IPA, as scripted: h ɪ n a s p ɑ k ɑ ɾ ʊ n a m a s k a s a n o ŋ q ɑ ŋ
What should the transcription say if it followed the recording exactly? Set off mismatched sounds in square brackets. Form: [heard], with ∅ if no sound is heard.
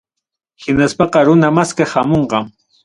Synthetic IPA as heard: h ɪ n a s p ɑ [q] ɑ ɾ ʊ n a m a s k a [h] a [m] o [ɴ] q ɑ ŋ

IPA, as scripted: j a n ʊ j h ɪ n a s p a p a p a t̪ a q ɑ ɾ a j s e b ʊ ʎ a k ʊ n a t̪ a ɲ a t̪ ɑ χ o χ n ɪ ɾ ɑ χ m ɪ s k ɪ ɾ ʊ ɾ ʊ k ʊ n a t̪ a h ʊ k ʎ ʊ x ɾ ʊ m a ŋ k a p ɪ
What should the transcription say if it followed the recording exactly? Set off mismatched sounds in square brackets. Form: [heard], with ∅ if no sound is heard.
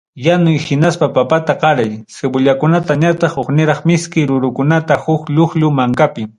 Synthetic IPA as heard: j a n ʊ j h ɪ n a s p a p a p a t̪ a q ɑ ɾ a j s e b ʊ ʎ a k ʊ n a t̪ a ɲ a t̪ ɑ χ o χ n ɪ ɾ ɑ χ m ɪ s k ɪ ɾ ʊ ɾ ʊ k ʊ n a t̪ a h ʊ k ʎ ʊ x [ʎ] ʊ m a ŋ k a p ɪ

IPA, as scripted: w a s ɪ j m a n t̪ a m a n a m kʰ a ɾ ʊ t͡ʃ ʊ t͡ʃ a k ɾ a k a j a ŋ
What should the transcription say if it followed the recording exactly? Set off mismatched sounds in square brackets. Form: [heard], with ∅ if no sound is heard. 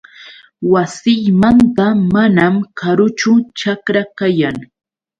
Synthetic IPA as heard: w a s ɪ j m a n t̪ a m a n a m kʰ a ɾ ʊ t͡ʃ ʊ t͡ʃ a k ɾ a k a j a ŋ

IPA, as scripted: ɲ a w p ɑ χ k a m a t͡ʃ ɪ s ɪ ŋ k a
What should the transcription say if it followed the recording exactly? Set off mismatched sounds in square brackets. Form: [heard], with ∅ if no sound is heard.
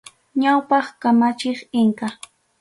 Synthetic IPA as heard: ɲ a w p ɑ χ k a m a t͡ʃ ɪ [χ] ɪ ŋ k a

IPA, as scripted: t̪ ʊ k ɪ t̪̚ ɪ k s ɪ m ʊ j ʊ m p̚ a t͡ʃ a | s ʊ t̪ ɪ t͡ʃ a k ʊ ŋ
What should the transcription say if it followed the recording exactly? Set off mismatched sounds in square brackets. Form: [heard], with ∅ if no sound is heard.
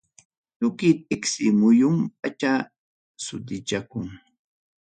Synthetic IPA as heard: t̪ ʊ k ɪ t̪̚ ɪ k s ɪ m ʊ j ʊ m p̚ a t͡ʃ a | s ʊ t̪ ɪ t͡ʃ a k ʊ ŋ

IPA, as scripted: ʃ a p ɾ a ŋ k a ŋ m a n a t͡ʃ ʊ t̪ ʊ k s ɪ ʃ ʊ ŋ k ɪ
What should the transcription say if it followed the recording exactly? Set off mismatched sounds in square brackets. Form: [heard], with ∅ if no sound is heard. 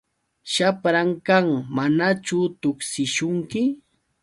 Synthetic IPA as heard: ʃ a p ɾ a ŋ k a ŋ m a n a t͡ʃ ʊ t̪ ʊ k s ɪ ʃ ʊ ŋ k ɪ

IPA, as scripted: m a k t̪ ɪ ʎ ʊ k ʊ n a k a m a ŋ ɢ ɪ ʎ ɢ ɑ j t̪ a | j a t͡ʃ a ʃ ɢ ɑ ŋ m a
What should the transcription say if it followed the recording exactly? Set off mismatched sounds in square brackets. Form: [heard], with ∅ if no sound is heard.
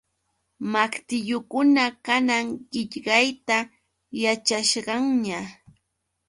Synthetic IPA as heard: m a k t̪ ɪ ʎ ʊ k ʊ n a k a [n] a ŋ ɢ ɪ ʎ ɢ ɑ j t̪ a | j a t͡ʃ a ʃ ɢ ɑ ŋ [ɲ] a

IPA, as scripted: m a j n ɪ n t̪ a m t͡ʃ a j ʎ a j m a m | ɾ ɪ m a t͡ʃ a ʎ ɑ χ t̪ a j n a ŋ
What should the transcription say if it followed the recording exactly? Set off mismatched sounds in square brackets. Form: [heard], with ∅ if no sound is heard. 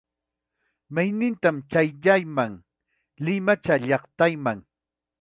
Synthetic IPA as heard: m a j n ɪ n t̪ a m t͡ʃ a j ʎ a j m a [ŋ] | [l] ɪ m a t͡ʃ a ʎ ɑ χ t̪ a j [m] a ŋ

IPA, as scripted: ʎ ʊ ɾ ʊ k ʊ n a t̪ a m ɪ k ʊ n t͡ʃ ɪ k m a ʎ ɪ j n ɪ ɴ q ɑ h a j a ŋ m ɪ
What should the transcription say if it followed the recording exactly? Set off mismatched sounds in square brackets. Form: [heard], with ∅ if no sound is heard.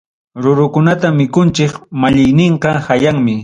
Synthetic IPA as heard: [ɾ] ʊ ɾ ʊ k ʊ n a t̪ a m ɪ k ʊ n t͡ʃ ɪ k m a ʎ ɪ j n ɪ ɴ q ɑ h a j a ŋ m ɪ

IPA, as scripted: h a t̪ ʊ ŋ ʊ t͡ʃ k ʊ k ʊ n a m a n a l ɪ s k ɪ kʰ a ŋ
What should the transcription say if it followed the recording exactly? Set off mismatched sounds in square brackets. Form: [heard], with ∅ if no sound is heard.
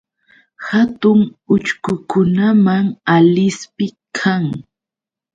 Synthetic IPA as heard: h a t̪ ʊ ŋ ʊ t͡ʃ k ʊ k ʊ n a m a [ŋ] a l ɪ s [p] ɪ kʰ a ŋ

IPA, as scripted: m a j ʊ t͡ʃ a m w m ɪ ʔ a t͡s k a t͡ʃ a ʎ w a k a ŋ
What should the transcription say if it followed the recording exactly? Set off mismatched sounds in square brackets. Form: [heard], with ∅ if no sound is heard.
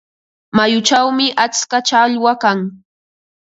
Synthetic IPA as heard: m a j ʊ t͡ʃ a [∅] w m ɪ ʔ a t͡s k a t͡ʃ a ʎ w a k a ŋ

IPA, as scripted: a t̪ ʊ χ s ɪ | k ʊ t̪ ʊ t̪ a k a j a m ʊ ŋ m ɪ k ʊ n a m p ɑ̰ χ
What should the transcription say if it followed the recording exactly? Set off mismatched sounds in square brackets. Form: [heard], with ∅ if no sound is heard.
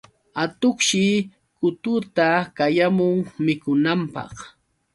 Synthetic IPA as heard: a t̪ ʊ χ [ʃ] ɪ | k ʊ t̪ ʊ t̪ a k a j a m ʊ ŋ m ɪ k ʊ n a m p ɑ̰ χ

